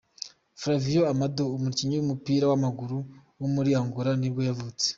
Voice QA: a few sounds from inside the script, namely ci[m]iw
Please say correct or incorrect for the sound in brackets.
incorrect: ɲ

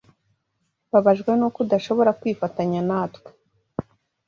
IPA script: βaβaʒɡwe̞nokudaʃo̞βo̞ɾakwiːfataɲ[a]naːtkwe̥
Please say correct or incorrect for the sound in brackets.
correct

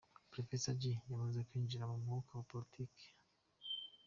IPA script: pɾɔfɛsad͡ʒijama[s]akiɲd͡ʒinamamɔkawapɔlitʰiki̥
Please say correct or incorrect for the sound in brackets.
incorrect: z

